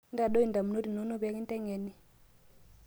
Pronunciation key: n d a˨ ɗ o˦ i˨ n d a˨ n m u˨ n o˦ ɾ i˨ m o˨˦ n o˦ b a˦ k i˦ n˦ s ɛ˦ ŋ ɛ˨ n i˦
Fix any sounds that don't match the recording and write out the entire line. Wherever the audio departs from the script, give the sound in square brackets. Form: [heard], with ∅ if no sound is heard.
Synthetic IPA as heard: n d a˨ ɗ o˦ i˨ n d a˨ [∅] m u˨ n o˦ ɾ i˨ [n] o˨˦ n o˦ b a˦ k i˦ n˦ [t] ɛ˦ ŋ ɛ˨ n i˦